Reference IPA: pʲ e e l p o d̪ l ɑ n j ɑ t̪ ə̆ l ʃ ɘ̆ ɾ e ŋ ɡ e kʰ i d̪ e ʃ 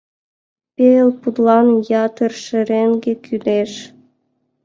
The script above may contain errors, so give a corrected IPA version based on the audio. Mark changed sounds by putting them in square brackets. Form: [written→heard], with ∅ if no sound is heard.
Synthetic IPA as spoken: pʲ e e l p [o→u] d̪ l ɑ n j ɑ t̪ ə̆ [l→r] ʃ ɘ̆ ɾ e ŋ ɡ e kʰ [i→y] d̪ e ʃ